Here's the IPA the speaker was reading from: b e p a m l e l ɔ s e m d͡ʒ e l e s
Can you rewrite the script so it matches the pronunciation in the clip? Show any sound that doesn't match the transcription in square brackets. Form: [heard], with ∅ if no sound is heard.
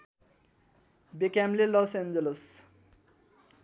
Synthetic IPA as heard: b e [k] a m l e l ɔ s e [n] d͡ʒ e l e s